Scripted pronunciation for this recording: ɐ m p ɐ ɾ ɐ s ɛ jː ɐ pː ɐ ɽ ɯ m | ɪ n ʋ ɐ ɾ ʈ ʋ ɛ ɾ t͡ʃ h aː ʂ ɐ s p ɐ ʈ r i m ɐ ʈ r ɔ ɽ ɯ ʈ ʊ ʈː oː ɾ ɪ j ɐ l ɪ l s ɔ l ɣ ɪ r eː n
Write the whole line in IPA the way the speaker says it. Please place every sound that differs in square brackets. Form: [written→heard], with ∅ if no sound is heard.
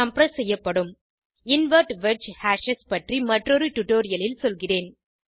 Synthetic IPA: ɐ m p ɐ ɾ ɐ s ɛ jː ɐ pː ɐ ɽ ɯ m | ɪ n ʋ ɐ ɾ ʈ ʋ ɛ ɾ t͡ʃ h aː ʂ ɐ s p ɐ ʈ r i m ɐ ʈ r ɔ [ɽ→ɾ] ɯ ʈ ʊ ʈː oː ɾ ɪ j ɐ l ɪ l s ɔ l ɣ ɪ r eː n